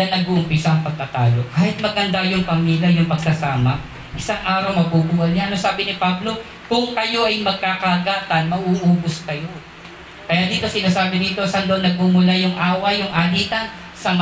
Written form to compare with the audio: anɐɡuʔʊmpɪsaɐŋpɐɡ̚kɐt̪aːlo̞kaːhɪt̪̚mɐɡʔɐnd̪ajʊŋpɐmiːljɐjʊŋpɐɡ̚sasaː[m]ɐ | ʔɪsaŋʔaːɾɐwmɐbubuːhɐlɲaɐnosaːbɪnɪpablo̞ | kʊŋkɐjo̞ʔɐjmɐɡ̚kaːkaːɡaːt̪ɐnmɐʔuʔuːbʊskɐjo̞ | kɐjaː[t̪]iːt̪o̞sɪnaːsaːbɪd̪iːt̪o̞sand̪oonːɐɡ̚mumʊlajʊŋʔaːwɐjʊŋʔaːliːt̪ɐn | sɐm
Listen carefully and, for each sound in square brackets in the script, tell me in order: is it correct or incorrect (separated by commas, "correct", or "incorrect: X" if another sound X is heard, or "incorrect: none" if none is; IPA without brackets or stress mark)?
correct, incorrect: d̪